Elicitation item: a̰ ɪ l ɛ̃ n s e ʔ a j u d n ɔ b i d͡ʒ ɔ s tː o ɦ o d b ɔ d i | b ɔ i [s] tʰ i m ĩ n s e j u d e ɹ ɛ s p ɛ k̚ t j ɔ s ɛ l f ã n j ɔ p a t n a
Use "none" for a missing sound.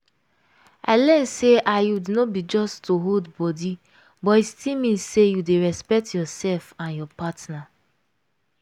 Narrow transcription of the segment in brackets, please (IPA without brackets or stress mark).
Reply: s